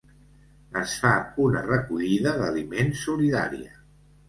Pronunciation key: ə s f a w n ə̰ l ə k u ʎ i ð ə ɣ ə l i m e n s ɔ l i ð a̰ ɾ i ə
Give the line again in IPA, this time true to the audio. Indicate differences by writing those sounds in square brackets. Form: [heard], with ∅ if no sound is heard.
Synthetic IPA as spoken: ə s f a [u] n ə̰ [r] ə k u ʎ i ð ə [ð] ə l i m e n s [u] l i ð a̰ ɾ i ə